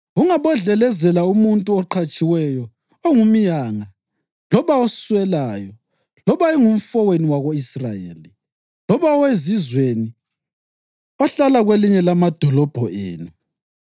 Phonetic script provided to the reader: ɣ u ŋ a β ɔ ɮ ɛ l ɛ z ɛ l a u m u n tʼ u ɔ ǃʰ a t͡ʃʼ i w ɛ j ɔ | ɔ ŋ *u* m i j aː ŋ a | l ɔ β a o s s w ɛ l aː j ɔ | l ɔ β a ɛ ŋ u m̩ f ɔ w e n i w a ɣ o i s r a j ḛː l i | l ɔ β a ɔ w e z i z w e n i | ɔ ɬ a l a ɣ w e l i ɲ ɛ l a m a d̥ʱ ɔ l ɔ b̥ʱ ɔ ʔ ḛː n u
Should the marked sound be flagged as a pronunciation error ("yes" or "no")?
no